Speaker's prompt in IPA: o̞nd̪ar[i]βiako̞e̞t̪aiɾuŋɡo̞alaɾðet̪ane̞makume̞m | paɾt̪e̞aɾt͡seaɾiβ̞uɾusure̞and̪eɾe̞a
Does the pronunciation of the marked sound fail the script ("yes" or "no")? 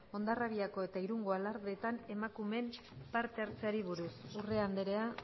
yes